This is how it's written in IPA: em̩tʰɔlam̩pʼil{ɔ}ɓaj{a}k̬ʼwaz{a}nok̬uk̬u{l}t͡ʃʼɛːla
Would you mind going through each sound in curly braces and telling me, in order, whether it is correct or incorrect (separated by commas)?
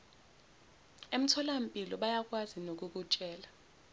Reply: correct, correct, incorrect, incorrect